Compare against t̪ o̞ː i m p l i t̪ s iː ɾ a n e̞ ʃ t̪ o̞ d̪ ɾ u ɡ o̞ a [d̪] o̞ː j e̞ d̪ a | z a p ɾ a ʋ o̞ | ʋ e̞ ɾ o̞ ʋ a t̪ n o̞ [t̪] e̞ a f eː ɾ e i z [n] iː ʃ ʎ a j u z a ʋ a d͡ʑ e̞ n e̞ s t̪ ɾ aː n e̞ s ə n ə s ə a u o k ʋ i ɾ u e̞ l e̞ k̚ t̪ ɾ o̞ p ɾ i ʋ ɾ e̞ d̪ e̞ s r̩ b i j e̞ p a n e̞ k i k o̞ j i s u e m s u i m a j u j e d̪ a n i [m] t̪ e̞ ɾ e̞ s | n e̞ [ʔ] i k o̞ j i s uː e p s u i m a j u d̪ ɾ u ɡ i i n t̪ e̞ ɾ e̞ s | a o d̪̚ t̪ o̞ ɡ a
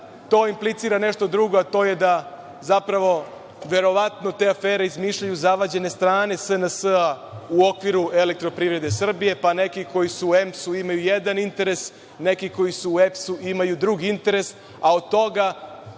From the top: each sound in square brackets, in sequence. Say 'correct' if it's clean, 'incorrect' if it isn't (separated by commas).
incorrect, correct, incorrect, incorrect, incorrect